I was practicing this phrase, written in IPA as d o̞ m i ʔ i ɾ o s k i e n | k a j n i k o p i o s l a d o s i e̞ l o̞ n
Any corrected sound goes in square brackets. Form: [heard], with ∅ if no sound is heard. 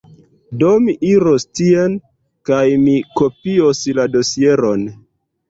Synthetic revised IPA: d o̞ m i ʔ i ɾ o s [t] i e n | k a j [m] i k o p i o s l a d o s i e̞ [ɾ] o̞ n